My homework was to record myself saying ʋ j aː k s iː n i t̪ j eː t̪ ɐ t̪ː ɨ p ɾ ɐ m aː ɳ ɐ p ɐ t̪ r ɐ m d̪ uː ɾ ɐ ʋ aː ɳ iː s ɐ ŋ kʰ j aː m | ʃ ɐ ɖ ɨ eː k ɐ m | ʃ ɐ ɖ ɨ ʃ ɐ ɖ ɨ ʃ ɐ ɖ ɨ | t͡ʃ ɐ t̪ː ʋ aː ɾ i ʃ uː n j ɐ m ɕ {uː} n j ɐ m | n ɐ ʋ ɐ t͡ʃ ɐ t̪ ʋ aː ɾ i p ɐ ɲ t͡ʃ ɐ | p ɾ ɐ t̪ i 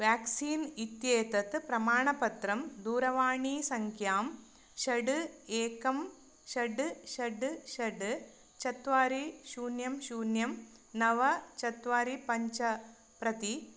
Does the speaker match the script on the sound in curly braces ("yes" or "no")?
yes